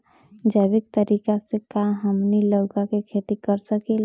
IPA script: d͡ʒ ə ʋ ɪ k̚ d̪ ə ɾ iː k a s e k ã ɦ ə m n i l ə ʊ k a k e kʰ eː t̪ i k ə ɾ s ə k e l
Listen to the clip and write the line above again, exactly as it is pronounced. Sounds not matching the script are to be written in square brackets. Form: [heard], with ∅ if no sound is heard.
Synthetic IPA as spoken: d͡ʒ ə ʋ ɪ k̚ [t̪] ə ɾ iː k a s e k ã ɦ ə m n i l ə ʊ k a k e kʰ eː t̪ i k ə ɾ s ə k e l

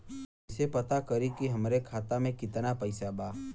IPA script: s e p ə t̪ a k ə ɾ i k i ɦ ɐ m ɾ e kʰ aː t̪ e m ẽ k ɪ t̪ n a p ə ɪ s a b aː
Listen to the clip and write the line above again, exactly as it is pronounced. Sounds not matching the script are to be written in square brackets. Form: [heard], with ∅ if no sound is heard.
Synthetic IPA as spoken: s e p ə t̪ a k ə ɾ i k i ɦ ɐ m ɾ e kʰ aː t̪ [a] m ẽ k ɪ t̪ n a p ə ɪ s a b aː

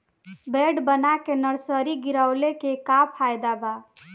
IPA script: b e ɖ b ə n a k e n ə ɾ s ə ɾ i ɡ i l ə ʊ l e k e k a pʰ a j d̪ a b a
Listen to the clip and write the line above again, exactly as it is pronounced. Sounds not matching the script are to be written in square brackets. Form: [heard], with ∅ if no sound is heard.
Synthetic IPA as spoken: b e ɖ b ə n a k e n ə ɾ s ə ɾ i ɡ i [ɾ] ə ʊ l e k e k a pʰ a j d̪ a b a

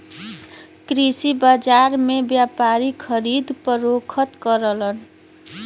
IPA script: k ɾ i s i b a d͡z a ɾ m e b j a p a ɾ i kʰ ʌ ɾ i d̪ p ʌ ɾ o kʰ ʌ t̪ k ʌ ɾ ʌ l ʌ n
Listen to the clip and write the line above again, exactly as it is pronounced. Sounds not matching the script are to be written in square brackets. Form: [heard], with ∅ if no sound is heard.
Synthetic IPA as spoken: k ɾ i s i b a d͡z a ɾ m e b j a p a ɾ i kʰ ʌ ɾ i d̪ p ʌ ɾ o kʰ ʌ t̪ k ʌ ɾ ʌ l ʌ n

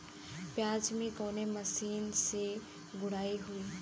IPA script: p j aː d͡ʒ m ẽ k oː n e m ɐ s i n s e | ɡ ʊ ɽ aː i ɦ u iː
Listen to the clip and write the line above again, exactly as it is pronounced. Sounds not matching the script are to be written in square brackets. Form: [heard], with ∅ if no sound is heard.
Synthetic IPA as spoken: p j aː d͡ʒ m ẽ k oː n e m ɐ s [iː] n s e | ɡ ʊ ɽ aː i ɦ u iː

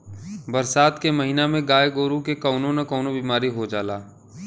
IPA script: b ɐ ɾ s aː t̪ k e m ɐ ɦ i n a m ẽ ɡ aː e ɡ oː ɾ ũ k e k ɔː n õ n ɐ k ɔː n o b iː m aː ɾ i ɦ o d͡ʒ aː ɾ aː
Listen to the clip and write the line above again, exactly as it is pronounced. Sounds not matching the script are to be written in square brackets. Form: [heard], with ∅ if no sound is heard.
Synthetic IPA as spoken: b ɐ ɾ s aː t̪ k e m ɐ ɦ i n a m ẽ ɡ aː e ɡ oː ɾ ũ k e k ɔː n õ n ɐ k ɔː n o b iː m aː ɾ i ɦ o d͡ʒ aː [l] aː

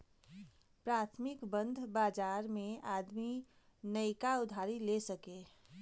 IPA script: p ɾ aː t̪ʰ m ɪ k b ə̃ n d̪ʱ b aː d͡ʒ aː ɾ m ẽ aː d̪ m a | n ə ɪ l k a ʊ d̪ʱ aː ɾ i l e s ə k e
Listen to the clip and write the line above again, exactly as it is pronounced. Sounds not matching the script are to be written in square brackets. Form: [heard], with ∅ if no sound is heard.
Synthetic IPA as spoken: p ɾ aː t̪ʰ m ɪ k b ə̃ n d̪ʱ b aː d͡ʒ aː ɾ m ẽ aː d̪ m [i] | n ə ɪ [∅] k a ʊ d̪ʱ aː ɾ i l e s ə k e

